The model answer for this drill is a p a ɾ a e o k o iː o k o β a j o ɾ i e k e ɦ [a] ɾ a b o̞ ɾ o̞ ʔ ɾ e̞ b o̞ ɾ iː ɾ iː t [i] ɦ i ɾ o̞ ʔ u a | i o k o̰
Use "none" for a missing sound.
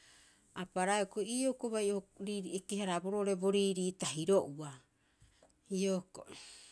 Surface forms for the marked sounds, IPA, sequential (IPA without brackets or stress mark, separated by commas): a, a